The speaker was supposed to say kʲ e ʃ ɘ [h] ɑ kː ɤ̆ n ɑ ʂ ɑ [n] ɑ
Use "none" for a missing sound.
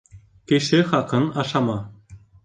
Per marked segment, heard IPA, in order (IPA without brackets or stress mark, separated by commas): χ, m